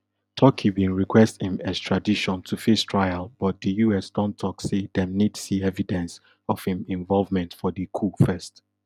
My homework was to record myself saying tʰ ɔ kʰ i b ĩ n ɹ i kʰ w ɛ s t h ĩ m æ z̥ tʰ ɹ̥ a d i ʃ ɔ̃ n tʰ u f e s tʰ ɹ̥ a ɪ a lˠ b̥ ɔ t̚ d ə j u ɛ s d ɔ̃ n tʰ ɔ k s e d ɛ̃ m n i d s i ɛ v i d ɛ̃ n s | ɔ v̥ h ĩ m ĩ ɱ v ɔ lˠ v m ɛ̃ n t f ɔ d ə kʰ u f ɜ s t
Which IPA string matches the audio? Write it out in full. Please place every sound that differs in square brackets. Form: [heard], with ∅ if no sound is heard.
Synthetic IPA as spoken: tʰ ɔ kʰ i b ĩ n ɹ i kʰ w ɛ s t h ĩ m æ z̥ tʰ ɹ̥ a d i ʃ ɔ̃ n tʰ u f e s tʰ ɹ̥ a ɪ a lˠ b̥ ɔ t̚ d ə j u ɛ s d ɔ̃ n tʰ ɔ k s e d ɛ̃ m n i d s i ɛ v i d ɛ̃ n s | ɔ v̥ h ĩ m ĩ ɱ v ɔ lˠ v m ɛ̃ n t f ɔ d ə kʰ u f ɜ s t